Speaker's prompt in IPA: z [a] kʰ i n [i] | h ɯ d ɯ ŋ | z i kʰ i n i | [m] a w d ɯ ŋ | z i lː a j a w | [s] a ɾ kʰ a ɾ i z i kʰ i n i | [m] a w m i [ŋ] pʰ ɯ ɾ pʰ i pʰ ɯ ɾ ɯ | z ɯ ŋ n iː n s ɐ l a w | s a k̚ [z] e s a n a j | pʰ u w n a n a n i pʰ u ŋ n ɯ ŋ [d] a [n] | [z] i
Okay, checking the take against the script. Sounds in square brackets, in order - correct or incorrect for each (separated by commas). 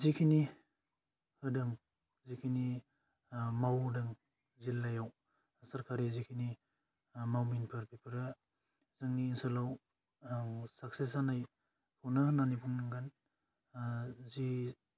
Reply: incorrect, correct, correct, correct, correct, incorrect, incorrect, incorrect, correct, correct